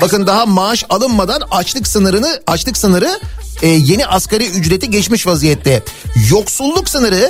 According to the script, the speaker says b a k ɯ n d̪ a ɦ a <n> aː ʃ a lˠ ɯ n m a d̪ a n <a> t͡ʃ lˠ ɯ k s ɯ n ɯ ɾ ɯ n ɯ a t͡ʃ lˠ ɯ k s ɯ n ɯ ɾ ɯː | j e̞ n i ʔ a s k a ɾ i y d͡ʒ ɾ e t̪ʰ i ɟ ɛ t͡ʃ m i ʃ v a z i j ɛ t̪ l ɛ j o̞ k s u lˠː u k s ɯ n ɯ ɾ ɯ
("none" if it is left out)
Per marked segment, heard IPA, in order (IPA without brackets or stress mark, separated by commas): m, a